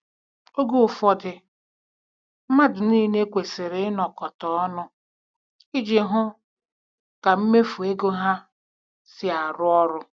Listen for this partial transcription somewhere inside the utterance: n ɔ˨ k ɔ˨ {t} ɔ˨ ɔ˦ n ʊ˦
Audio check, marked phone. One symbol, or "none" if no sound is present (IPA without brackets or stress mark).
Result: t